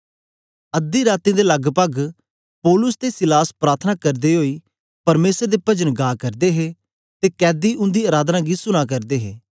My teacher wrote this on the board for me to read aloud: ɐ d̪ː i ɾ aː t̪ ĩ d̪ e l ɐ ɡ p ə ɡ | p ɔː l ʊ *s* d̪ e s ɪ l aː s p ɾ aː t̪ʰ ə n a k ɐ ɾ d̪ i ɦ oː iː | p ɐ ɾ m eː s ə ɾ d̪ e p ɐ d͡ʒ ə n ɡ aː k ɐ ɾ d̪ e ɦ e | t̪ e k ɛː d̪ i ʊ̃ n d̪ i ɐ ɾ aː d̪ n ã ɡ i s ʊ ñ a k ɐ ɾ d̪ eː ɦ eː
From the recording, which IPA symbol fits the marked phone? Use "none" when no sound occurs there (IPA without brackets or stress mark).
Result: s